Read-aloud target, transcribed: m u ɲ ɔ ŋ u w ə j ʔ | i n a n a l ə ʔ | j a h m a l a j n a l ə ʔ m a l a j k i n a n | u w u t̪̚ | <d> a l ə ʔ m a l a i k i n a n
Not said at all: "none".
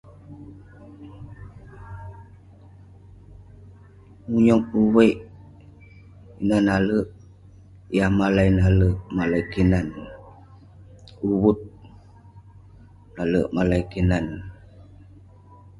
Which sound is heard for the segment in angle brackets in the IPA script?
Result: n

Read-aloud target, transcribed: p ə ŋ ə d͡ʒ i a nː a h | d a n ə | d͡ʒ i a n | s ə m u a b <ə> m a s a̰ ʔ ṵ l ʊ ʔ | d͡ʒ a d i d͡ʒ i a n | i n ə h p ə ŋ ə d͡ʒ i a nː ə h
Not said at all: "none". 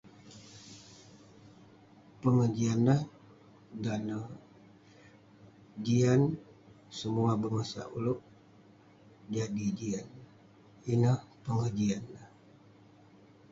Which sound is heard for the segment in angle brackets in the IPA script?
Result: ə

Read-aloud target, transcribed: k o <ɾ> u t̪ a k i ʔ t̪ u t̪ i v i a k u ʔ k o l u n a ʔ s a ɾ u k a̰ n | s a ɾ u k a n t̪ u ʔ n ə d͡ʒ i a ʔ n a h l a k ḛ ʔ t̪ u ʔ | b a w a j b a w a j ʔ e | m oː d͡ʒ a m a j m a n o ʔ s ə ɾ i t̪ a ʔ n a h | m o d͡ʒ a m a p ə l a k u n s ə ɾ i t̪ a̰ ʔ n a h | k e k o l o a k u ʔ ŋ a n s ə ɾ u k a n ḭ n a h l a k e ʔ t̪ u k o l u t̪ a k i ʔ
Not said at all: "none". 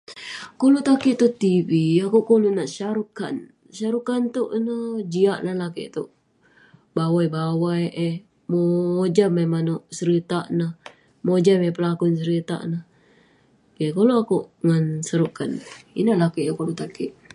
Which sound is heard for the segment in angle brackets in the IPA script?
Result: l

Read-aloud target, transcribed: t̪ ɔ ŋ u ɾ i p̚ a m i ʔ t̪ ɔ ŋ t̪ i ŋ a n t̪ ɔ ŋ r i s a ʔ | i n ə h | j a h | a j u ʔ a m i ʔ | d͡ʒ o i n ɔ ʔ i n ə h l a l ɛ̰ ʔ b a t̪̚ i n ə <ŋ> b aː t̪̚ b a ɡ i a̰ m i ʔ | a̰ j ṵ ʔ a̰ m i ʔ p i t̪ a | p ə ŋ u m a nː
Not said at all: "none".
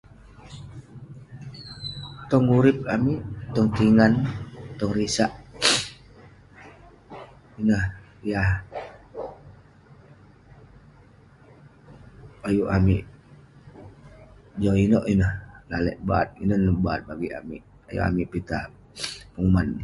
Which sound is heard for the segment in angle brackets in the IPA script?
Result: n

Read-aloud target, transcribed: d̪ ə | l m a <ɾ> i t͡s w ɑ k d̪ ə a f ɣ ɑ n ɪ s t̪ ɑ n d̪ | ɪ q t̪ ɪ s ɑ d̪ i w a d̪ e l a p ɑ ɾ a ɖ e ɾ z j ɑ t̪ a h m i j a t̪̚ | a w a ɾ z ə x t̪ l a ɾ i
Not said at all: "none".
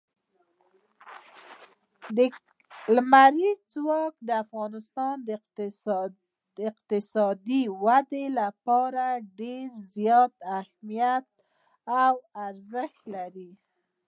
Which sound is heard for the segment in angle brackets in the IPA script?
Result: ɾ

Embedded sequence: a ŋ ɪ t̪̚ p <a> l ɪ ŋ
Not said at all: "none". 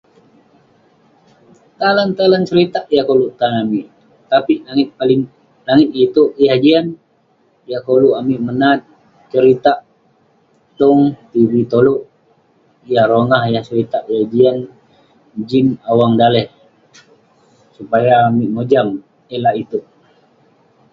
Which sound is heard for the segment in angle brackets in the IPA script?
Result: a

